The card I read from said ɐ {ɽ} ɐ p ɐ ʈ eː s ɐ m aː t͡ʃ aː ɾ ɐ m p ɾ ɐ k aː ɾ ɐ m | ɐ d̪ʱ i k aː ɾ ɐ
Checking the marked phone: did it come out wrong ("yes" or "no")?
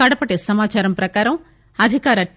no